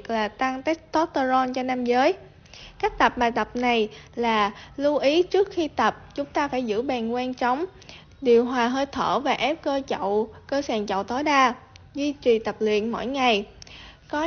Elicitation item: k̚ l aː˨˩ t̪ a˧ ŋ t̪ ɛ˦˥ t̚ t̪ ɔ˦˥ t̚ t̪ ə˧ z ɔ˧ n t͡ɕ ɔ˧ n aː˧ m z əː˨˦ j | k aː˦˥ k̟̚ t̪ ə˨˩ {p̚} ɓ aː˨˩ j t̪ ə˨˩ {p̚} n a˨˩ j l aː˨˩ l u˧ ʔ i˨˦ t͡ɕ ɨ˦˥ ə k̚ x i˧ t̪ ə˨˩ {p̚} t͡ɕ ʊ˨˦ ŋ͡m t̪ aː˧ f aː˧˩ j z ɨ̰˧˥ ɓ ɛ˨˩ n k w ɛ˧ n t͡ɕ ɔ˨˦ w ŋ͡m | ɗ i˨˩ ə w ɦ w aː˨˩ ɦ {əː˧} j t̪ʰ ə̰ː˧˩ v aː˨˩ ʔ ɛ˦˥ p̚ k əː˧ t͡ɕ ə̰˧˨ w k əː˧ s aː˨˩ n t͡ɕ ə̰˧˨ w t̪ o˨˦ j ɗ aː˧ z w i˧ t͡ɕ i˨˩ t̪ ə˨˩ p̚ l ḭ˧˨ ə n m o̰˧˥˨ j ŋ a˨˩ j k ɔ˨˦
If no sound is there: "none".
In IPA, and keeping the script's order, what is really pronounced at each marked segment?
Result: p̚, p̚, p̚, əː˧

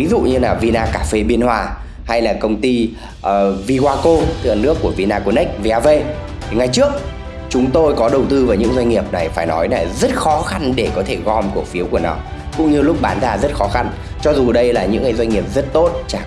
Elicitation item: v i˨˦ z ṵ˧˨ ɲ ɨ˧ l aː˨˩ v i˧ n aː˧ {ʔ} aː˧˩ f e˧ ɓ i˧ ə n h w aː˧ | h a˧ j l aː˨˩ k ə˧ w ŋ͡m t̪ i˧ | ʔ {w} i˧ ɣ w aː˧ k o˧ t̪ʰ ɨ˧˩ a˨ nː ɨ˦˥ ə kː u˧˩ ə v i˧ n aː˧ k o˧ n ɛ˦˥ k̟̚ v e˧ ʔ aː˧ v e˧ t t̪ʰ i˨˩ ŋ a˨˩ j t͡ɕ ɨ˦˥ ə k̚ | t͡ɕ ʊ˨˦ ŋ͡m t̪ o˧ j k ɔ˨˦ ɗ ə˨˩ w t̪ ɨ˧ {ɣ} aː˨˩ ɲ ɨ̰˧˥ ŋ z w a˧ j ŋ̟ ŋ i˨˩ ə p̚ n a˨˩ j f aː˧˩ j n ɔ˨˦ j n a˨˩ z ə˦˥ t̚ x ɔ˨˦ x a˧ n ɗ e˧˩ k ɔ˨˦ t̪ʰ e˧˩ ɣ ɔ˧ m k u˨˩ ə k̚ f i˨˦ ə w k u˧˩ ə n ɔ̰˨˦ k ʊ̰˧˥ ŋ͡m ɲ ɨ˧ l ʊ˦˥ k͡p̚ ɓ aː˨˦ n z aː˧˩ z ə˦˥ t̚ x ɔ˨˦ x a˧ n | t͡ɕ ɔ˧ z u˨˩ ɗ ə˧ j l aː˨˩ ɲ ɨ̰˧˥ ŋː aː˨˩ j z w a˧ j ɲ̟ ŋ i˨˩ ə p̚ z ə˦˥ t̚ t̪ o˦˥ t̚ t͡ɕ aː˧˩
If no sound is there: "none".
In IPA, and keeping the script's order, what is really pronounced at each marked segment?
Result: k, v, v

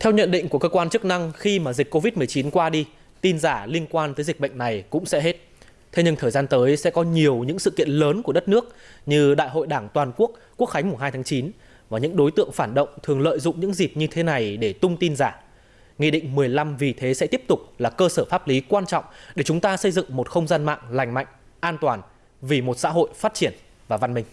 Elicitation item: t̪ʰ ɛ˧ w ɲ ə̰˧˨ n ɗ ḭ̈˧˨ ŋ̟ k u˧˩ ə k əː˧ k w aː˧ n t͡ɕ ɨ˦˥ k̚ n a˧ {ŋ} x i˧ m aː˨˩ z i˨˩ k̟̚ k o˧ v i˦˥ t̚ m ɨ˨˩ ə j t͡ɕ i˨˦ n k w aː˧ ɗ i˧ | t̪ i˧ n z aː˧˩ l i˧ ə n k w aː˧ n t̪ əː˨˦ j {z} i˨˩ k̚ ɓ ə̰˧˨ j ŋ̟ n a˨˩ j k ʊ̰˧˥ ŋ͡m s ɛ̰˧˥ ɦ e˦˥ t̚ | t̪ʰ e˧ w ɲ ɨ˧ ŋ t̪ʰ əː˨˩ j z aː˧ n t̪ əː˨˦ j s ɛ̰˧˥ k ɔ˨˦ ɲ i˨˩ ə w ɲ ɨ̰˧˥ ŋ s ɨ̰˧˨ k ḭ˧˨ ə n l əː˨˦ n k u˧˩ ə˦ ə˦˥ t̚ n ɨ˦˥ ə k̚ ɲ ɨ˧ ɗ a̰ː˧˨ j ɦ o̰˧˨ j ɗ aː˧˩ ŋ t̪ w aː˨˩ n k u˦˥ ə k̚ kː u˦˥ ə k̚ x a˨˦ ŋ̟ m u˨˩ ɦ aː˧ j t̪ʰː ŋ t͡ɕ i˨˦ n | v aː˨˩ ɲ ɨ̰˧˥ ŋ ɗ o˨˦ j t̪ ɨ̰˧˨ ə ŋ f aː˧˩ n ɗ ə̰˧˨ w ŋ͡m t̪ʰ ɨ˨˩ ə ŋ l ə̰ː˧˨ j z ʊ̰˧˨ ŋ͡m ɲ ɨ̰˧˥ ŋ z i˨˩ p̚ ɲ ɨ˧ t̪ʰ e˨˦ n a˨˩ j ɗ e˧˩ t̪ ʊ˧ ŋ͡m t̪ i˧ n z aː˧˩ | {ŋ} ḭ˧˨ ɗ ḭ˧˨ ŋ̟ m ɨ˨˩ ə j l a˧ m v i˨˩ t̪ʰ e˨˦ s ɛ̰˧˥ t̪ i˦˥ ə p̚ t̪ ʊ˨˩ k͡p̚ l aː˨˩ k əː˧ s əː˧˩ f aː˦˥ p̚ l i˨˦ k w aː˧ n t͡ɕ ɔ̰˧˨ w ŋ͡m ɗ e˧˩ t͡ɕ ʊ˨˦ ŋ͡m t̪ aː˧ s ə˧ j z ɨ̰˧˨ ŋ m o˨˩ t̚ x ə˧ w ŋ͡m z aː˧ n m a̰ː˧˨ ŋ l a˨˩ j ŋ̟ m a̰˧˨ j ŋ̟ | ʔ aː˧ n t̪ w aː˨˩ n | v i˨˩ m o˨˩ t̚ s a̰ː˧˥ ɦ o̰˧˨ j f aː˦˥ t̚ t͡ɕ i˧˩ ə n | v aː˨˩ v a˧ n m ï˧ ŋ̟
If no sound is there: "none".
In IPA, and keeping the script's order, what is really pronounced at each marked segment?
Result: ŋ, z, ŋ

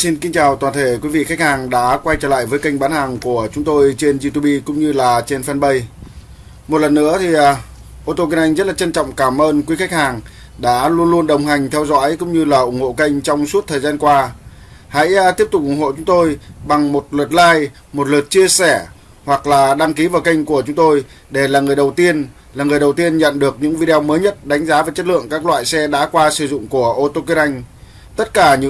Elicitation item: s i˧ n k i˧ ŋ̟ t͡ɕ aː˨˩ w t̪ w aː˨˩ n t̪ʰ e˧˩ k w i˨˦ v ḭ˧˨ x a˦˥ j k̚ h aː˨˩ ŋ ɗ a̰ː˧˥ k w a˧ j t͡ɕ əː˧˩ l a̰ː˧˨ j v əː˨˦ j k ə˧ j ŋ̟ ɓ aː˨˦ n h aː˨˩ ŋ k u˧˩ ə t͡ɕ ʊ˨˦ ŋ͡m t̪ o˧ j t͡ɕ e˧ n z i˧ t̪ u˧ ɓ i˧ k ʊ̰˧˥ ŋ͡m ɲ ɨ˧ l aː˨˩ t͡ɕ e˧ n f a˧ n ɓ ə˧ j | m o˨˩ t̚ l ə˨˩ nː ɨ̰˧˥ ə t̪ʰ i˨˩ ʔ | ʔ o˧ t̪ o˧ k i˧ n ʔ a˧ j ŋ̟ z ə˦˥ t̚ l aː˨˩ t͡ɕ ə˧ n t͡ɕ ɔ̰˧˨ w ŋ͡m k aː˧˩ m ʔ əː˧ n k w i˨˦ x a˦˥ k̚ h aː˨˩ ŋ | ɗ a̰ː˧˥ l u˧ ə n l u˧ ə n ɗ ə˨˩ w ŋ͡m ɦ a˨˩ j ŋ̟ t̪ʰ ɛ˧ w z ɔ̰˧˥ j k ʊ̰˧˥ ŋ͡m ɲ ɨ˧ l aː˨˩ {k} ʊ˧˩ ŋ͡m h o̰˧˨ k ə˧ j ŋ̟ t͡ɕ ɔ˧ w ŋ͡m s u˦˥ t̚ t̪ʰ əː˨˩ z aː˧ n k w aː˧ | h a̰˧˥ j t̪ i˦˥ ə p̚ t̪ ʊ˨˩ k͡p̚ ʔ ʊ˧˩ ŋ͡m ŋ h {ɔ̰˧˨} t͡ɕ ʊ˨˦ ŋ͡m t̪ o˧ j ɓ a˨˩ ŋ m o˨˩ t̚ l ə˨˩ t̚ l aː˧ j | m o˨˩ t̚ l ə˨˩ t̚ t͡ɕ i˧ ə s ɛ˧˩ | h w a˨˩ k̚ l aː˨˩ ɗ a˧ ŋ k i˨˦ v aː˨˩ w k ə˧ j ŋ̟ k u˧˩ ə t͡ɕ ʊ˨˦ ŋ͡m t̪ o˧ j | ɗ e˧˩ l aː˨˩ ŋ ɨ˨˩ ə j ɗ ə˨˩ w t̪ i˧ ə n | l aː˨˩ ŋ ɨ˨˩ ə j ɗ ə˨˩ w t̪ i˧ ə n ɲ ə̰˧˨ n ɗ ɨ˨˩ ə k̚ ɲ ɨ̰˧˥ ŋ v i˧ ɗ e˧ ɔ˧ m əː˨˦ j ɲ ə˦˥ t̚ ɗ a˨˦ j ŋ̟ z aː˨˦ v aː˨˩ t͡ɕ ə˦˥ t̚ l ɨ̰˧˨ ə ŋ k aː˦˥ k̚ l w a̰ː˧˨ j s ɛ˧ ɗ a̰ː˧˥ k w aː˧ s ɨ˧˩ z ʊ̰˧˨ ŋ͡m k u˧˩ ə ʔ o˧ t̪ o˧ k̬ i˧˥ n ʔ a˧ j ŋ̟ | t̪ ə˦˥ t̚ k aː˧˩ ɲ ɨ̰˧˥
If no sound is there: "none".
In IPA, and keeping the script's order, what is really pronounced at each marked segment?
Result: ʔ, o̰˧˨

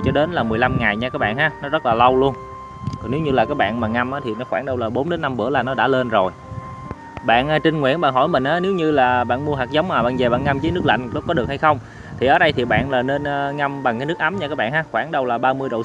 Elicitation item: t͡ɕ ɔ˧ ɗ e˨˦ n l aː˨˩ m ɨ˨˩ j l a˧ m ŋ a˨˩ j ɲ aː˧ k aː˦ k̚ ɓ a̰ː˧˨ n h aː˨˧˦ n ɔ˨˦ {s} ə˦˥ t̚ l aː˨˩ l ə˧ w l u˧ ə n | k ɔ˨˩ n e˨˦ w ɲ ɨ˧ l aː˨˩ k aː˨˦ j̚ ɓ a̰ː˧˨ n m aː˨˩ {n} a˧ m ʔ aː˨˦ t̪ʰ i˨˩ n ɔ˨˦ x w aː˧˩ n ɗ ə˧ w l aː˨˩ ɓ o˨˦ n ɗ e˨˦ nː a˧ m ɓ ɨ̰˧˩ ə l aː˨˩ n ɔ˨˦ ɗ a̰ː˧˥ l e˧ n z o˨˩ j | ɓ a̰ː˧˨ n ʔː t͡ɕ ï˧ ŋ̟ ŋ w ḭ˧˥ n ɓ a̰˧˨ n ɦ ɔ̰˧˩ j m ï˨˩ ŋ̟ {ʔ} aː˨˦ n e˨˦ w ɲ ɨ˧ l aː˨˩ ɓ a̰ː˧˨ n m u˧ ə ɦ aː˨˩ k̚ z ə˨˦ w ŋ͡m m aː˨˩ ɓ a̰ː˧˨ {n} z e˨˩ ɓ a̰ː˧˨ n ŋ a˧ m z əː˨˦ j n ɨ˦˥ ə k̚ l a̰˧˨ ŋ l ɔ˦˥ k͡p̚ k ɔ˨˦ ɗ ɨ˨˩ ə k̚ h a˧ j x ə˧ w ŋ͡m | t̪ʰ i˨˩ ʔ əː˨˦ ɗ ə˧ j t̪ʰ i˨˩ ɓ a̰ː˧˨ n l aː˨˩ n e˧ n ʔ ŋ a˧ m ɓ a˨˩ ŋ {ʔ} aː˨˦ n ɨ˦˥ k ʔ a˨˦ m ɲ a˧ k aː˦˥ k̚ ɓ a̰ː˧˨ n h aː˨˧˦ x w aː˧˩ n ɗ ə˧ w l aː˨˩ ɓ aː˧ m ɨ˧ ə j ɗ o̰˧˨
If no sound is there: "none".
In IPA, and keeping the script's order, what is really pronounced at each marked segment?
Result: z, ŋ, ʔ, n, k

